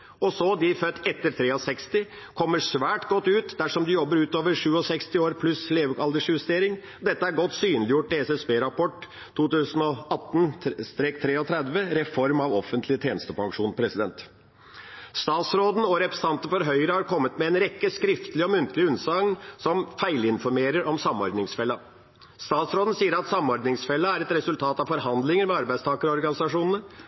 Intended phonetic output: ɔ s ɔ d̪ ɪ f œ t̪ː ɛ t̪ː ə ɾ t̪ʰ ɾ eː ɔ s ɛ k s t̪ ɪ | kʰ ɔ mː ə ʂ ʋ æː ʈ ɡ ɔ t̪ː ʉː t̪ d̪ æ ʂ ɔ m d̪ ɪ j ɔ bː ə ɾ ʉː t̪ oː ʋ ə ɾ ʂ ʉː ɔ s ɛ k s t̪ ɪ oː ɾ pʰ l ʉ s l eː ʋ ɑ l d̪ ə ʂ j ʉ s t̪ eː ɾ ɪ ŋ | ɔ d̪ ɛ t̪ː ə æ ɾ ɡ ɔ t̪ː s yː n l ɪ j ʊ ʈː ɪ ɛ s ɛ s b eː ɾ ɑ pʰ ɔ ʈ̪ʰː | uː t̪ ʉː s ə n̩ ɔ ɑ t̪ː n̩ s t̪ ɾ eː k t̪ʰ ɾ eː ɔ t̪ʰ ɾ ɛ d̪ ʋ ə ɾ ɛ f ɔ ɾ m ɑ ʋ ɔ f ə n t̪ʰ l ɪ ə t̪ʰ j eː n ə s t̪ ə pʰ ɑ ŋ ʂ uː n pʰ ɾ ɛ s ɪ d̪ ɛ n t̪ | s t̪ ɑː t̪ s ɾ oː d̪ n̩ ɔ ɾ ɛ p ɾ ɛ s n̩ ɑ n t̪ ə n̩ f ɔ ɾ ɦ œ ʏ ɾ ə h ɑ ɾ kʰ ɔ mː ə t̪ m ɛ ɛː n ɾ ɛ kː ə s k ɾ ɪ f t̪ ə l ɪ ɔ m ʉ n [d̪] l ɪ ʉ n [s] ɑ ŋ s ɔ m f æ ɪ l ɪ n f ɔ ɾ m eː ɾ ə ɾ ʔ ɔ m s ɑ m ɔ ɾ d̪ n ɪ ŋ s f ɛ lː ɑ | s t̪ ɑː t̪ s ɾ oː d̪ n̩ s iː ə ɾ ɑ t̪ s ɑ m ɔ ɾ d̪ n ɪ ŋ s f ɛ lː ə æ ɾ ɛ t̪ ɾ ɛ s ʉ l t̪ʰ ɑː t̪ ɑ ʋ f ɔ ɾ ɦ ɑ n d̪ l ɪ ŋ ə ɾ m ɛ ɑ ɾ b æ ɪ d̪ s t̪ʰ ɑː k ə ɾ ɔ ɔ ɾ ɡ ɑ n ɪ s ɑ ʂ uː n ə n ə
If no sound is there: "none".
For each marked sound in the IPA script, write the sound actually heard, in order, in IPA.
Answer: t̪, s

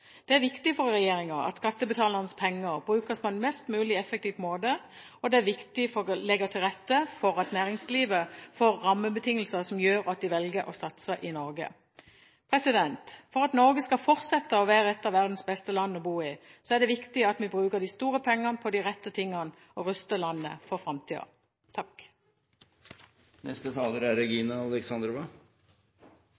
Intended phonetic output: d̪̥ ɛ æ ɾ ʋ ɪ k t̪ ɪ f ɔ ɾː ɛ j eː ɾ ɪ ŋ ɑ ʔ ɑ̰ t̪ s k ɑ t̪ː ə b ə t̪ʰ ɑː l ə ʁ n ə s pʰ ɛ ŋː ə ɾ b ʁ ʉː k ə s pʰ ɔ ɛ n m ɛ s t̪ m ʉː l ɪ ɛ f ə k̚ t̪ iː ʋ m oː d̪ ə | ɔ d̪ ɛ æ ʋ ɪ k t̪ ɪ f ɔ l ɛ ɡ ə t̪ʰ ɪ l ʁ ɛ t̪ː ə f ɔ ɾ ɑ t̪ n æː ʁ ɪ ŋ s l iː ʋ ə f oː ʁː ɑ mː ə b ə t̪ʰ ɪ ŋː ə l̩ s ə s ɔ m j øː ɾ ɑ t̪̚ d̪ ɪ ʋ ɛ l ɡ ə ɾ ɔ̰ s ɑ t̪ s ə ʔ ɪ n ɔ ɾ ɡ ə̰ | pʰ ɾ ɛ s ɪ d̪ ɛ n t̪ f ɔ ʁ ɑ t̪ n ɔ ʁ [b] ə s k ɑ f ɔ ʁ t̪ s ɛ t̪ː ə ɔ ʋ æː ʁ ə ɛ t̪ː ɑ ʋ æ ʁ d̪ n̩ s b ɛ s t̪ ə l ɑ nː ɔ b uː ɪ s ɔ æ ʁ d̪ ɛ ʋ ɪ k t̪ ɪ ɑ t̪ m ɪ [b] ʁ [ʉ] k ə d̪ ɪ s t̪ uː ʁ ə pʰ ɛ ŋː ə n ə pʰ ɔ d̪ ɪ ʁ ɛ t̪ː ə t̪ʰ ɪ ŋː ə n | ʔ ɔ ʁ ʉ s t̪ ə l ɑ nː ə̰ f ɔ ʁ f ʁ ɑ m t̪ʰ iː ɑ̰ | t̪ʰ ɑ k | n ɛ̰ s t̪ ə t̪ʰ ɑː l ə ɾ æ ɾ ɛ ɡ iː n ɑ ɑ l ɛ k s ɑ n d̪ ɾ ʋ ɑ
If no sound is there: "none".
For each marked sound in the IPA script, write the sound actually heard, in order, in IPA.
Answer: ɡ, b, ʉː

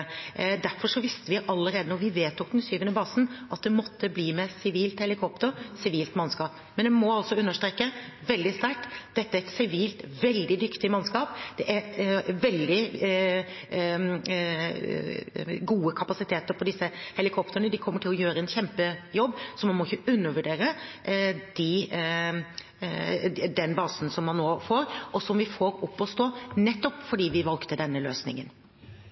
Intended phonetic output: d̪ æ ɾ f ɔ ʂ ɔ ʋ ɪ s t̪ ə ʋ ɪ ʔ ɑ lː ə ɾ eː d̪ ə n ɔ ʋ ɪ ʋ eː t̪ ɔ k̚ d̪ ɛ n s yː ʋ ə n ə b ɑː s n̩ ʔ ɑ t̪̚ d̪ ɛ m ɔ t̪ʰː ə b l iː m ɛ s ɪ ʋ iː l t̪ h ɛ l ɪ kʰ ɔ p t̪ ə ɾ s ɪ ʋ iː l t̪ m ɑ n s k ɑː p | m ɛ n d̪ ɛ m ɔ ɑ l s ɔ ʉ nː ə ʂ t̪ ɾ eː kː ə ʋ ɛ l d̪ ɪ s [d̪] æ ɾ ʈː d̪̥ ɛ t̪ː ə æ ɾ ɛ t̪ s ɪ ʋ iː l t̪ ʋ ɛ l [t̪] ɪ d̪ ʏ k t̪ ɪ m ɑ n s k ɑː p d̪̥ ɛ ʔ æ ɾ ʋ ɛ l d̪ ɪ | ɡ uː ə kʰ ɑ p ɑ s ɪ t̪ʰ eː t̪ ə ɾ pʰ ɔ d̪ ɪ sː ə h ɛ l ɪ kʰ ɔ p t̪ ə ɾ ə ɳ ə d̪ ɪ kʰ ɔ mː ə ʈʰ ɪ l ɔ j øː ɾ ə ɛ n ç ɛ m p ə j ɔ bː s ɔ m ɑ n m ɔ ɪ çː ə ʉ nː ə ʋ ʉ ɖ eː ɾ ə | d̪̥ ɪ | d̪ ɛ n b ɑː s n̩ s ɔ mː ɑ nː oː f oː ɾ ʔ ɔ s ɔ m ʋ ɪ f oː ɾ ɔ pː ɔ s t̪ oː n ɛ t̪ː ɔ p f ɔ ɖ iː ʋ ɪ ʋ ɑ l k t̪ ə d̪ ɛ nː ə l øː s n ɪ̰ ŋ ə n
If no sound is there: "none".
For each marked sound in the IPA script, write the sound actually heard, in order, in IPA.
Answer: t̪, d̪

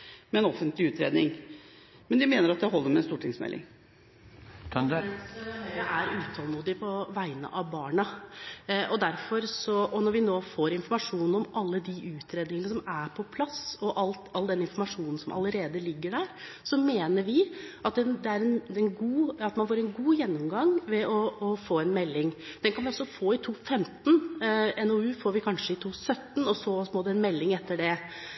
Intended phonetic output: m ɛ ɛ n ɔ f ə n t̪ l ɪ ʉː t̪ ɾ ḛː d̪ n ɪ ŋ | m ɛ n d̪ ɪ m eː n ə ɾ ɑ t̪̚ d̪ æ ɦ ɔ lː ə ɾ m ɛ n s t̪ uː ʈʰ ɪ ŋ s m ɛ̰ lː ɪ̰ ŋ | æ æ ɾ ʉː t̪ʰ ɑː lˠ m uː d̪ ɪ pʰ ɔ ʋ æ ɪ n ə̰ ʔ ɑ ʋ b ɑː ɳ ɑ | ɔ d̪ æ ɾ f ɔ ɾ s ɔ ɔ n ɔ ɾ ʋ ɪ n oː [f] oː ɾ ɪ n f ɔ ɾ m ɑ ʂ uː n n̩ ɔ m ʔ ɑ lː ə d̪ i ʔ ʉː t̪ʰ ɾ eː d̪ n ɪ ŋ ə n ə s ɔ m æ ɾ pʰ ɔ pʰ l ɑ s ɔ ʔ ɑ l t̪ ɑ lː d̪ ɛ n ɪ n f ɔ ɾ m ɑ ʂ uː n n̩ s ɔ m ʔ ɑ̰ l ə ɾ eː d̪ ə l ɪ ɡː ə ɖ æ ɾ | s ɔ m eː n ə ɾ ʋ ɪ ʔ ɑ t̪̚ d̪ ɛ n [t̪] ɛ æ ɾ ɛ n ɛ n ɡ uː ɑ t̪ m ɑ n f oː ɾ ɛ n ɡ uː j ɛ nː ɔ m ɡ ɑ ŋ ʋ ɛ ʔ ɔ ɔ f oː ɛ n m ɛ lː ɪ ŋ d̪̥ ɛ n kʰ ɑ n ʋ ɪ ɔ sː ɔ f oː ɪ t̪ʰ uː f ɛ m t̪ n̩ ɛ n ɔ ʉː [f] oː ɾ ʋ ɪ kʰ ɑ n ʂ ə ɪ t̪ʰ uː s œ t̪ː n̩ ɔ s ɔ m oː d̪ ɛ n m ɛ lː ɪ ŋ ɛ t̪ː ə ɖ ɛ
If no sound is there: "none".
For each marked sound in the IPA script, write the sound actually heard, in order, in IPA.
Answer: f, d̪, f

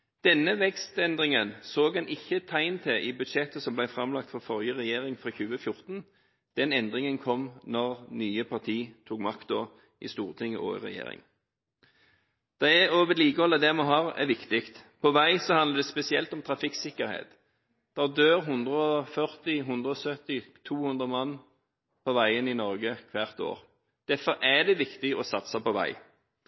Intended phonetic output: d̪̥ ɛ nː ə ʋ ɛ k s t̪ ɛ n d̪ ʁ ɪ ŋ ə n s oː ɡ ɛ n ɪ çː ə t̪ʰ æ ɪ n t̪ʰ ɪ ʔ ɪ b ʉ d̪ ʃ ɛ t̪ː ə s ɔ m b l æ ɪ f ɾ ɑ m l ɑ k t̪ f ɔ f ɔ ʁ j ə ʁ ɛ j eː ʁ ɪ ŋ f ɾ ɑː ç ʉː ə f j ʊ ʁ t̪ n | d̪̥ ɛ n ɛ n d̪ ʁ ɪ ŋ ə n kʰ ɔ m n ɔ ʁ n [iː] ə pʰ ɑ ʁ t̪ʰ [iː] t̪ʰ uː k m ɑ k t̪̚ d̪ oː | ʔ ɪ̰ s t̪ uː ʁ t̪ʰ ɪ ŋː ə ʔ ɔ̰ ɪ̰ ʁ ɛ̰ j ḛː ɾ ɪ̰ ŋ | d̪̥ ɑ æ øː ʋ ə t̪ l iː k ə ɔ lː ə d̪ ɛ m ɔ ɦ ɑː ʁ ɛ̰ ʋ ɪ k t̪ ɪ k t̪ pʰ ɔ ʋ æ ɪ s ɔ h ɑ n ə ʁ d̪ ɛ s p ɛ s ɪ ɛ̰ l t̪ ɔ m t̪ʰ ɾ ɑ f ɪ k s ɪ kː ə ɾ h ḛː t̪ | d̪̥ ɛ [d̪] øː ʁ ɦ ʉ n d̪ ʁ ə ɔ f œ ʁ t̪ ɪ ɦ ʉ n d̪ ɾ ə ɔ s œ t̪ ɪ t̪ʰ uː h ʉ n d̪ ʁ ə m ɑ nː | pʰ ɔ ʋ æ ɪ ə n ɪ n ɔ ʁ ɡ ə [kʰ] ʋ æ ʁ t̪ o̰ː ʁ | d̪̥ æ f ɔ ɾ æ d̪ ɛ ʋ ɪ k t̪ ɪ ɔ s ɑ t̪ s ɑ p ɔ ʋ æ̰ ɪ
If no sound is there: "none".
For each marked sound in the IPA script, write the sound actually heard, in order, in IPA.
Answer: yː, iː, d̪, kʰ

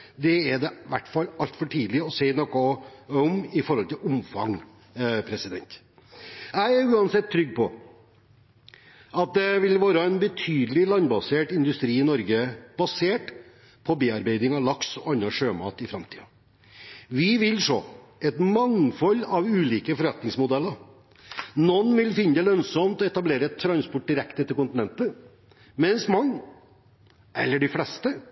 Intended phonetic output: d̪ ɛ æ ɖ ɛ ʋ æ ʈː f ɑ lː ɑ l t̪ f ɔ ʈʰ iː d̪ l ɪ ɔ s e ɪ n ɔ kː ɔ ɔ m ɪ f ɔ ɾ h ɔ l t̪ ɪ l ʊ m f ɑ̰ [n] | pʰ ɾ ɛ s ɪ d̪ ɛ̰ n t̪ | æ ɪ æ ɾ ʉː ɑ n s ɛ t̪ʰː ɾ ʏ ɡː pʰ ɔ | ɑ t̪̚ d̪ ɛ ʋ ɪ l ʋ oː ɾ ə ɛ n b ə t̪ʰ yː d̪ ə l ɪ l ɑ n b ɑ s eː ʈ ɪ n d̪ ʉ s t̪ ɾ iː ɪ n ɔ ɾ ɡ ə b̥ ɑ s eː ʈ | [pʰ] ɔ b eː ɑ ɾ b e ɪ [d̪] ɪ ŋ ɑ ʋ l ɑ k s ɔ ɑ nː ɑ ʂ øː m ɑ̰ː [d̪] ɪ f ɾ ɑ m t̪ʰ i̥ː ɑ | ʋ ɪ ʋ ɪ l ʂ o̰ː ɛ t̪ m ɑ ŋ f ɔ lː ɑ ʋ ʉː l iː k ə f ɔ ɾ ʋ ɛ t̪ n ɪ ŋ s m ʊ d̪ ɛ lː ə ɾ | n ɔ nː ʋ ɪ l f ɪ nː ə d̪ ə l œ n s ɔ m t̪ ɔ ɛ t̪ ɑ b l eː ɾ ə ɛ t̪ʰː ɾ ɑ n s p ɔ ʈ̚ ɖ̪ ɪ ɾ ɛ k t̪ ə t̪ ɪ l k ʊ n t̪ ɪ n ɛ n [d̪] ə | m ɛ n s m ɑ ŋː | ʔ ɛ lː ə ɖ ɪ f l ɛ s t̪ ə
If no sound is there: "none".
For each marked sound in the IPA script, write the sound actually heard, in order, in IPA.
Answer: ŋ, pʰ, d̪, t̪, t̪

